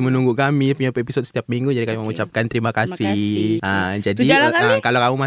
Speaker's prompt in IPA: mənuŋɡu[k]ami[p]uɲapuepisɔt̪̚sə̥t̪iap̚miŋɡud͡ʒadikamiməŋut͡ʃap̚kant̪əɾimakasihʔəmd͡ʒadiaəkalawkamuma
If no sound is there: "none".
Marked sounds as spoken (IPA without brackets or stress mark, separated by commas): k, p